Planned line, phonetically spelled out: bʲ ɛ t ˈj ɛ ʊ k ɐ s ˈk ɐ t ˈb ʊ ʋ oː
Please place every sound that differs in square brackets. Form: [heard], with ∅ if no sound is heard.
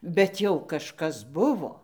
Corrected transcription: bʲ ɛ t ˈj ɛ ʊ k ɐ [ʃ] ˈk ɐ [s] ˈb ʊ ʋ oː